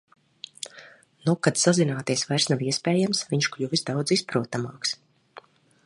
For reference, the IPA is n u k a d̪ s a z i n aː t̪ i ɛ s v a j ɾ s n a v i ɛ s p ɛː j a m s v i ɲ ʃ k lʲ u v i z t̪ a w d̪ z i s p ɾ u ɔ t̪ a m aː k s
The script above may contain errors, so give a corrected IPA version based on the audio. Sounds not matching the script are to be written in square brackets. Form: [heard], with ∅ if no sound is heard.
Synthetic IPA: n u k a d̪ s a z i n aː t̪ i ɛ s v a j ɾ s n a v i ɛ s p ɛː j a m s v i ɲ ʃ k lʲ u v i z [d̪] a w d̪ z i s p ɾ u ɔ t̪ a m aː k s